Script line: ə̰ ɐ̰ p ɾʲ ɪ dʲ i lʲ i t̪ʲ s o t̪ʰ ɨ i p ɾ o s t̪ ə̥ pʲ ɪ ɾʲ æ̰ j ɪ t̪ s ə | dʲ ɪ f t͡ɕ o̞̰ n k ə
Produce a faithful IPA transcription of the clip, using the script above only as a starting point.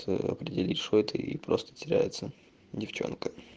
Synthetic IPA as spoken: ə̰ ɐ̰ p ɾʲ ɪ dʲ ɪ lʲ i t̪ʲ ʂ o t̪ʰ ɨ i p ɾ o s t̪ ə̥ tʲ ɪ ɾʲ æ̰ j ɪ t̪ s ə | dʲ ɪ f t͡ɕ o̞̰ n k ə